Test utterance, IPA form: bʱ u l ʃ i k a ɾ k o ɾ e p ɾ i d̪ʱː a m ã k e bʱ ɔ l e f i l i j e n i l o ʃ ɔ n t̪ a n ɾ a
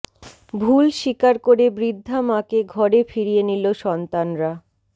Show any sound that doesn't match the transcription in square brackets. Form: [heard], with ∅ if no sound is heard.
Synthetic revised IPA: bʱ u l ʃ i k a ɾ k o ɾ e [b] ɾ i d̪ʱː a m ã k e [ɡʱ] ɔ [ɾ] e f i [ɾ] i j e n i l o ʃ ɔ n t̪ a n ɾ a

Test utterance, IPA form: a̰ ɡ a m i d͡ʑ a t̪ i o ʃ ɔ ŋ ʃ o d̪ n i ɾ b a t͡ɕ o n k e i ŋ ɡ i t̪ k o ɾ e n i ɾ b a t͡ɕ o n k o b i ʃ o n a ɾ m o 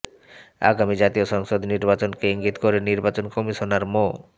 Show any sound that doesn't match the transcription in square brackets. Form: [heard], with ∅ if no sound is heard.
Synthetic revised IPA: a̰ ɡ a m i d͡ʑ a t̪ i o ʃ ɔ ŋ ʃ o d̪ n i ɾ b a t͡ɕ o n k e i ŋ ɡ i t̪ k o ɾ e n i ɾ b a t͡ɕ o n k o [m] i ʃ o n a ɾ m o

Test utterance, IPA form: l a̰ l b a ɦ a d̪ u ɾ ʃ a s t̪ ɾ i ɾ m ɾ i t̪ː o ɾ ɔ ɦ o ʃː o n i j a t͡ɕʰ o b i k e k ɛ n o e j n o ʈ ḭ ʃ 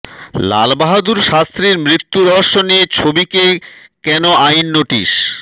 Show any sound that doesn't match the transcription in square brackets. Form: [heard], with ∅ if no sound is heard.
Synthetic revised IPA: l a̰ l b a ɦ a d̪ u ɾ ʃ a s t̪ ɾ i ɾ m ɾ i t̪ː [u] ɾ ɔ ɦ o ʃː o n i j [e] t͡ɕʰ o b i k e k ɛ n o [a] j [nː] o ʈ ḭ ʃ

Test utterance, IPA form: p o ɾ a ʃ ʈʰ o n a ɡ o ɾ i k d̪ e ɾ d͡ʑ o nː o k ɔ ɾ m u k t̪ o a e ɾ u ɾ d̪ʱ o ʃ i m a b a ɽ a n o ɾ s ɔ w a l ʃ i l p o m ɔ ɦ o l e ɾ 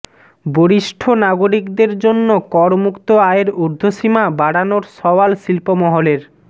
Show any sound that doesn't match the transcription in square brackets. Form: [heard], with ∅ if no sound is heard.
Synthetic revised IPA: [b] o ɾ [i] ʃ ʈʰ o n a ɡ o ɾ i k d̪ e ɾ d͡ʑ o nː o k ɔ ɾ m u k t̪ o a e ɾ u ɾ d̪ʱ o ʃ i m a b a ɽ a n o ɾ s ɔ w a l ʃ i l p o m ɔ ɦ o l e ɾ

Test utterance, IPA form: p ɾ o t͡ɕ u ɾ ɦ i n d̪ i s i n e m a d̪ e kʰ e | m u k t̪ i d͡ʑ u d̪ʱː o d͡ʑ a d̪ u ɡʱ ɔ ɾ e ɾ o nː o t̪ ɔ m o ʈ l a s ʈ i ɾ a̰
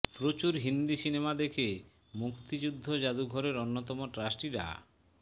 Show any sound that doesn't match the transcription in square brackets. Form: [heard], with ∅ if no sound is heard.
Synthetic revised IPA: p ɾ o t͡ɕ u ɾ ɦ i n d̪ i s i n e m a d̪ e kʰ e | m u k t̪ i d͡ʑ u d̪ʱː o d͡ʑ a d̪ u ɡʱ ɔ ɾ e ɾ o nː o t̪ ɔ m o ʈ [ɾ] a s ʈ i ɾ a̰

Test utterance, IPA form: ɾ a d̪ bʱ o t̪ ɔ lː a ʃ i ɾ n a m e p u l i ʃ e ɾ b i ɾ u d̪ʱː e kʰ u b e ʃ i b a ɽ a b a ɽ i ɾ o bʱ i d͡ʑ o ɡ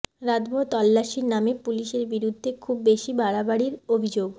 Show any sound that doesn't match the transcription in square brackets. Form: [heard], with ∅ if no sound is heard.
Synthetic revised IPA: ɾ a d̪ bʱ o t̪ ɔ lː a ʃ i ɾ n a m e p u l i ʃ e ɾ b i ɾ u d̪ʱː e kʰ u [bː] e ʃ i b a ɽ a b a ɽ i ɾ o bʱ i d͡ʑ o ɡ

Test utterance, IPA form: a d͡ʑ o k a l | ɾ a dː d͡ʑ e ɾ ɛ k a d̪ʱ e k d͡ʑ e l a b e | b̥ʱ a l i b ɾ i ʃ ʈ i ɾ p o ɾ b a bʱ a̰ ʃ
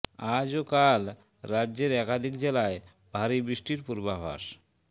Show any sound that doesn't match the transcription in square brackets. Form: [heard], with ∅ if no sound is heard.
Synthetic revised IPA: a d͡ʑ o k a l | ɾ a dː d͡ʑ e ɾ ɛ k a d̪ʱ [i] k d͡ʑ e l a [∅] e | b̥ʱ a [ɾ] i b ɾ i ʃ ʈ i ɾ p [u] ɾ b a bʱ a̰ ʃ

